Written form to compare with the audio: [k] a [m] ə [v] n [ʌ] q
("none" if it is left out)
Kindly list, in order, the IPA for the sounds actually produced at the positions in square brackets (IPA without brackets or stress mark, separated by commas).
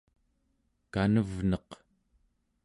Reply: k, n, v, ʌ